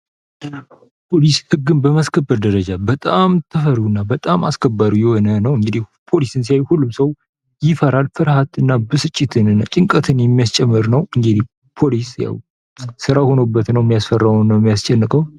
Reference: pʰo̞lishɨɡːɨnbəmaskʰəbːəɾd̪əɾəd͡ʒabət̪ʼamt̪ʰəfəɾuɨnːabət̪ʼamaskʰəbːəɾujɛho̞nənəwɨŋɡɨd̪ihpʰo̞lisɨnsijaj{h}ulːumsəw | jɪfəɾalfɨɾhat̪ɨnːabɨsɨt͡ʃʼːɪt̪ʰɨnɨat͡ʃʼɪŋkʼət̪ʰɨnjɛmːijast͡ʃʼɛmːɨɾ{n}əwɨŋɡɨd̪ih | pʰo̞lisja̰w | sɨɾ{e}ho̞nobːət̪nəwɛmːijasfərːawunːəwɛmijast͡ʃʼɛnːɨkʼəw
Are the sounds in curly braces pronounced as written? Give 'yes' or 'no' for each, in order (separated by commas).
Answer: yes, yes, no